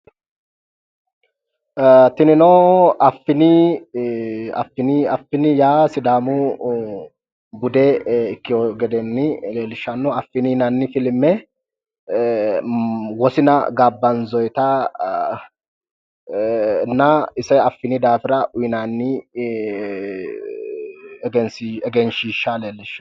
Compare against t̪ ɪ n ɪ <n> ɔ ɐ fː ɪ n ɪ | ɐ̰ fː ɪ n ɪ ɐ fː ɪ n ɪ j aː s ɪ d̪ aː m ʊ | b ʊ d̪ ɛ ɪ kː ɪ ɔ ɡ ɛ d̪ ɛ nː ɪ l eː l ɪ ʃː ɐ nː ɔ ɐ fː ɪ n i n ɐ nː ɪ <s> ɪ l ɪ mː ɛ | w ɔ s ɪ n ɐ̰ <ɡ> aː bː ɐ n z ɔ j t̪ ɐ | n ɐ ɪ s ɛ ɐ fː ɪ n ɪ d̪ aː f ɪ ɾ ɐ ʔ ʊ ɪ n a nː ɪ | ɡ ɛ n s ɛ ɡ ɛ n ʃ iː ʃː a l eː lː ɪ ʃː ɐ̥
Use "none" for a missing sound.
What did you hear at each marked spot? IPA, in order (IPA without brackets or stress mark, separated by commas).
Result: n, f, ɡ